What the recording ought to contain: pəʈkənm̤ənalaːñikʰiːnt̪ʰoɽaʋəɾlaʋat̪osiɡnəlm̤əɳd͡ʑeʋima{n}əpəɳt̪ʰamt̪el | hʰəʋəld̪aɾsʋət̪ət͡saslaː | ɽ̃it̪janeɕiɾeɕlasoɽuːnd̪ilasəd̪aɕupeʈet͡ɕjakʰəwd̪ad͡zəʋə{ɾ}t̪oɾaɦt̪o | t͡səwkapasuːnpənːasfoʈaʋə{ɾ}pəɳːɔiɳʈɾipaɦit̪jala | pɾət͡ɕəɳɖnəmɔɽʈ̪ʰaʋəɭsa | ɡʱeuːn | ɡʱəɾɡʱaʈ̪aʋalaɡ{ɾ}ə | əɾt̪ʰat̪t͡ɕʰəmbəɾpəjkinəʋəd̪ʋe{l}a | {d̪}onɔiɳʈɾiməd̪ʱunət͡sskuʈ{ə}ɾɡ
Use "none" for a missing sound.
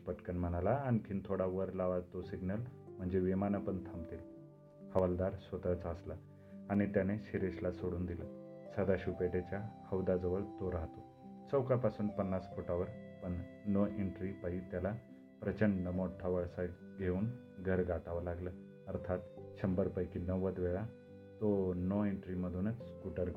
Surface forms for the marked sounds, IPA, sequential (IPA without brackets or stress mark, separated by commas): n, ɭ, ɾ, l, ɭ, t̪, ə